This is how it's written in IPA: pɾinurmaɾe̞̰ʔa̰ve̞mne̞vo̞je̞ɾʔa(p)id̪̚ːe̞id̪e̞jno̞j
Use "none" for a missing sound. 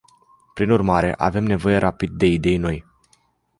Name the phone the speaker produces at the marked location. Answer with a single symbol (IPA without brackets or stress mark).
p